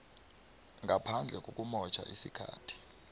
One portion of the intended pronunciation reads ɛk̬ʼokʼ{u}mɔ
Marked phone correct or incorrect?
correct